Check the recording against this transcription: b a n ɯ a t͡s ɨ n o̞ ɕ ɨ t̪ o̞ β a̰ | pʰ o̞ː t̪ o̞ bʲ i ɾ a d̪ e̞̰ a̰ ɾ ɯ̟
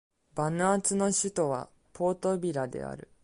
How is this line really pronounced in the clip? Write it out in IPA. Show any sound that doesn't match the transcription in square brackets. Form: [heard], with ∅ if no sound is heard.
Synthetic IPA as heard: b a n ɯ a t͡s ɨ n o̞ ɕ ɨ t̪ o̞ β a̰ | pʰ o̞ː t̪ o̞ bʲ i ɾ a d̪ e̞̰ a̰ ɾ ɯ̟